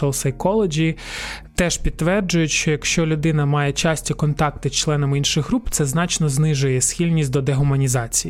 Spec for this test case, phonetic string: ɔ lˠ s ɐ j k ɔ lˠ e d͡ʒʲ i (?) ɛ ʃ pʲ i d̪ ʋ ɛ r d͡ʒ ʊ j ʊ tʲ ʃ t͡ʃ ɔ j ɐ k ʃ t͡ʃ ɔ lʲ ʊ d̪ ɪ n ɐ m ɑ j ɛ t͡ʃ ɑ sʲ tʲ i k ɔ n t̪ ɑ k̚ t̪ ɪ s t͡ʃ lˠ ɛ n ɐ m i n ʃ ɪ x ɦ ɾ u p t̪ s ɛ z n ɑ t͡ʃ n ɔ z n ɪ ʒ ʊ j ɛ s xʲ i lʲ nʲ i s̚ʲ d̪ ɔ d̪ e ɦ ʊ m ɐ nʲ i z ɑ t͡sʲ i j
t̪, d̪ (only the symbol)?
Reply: t̪